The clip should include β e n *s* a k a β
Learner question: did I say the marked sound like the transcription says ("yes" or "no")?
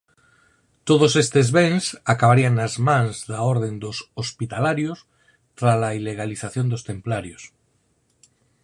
yes